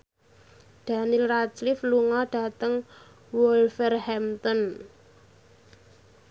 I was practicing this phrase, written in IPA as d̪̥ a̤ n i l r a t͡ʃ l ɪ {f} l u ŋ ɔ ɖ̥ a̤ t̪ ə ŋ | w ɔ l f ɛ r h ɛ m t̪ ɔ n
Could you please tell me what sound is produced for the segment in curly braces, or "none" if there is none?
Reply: f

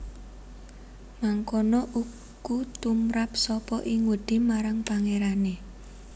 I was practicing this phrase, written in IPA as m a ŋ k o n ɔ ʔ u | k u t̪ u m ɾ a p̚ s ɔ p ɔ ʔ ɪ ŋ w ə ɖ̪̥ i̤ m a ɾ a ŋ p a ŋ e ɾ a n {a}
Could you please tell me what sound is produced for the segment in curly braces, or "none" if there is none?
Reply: e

